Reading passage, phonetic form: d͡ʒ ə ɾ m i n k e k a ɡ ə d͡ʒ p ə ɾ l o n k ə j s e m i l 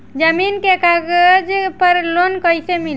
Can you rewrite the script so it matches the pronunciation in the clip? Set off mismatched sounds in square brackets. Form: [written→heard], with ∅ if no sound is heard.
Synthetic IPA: d͡ʒ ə [ɾ→∅] m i n k e k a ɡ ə d͡ʒ p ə ɾ l o n k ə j s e m i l